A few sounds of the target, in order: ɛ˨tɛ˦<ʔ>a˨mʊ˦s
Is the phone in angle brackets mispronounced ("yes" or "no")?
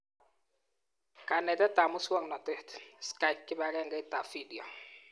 yes